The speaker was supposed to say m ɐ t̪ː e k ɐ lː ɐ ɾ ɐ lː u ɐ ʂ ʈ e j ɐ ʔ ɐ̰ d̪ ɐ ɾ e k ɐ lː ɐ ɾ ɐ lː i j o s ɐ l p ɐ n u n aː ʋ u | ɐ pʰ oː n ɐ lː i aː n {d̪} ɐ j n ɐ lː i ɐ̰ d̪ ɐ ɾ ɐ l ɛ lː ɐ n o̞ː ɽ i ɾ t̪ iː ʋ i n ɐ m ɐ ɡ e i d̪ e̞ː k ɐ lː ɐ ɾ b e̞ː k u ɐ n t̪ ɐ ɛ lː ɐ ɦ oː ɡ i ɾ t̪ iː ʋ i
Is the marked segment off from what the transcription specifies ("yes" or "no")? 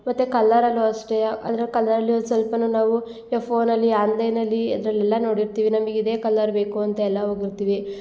no